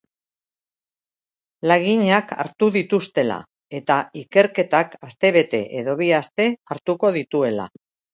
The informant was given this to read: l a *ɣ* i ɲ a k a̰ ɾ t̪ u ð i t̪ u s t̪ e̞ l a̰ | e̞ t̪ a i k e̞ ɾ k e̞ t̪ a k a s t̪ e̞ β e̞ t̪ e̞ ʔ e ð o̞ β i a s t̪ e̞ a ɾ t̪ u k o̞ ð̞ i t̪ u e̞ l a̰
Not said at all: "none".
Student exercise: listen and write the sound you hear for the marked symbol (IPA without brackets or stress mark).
ɣ